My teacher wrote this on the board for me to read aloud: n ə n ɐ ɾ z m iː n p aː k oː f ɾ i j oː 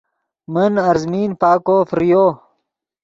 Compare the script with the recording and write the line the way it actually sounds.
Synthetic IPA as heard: m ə n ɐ ɾ z m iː n p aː k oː f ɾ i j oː